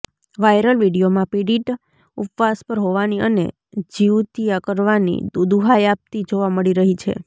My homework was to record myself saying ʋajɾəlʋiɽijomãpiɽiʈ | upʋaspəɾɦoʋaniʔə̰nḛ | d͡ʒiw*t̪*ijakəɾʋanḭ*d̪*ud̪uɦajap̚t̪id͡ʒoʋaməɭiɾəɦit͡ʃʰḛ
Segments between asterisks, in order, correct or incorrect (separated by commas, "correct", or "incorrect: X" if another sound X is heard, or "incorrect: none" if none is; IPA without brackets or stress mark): correct, correct